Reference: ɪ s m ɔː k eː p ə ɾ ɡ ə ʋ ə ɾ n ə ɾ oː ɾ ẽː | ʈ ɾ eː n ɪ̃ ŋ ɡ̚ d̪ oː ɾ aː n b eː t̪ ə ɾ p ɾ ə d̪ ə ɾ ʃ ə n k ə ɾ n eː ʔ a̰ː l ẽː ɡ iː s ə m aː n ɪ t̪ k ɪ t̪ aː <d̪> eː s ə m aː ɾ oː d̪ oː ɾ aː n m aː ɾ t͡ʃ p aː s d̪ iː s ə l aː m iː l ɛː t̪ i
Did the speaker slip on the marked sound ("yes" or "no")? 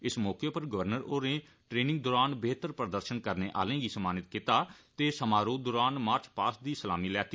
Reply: yes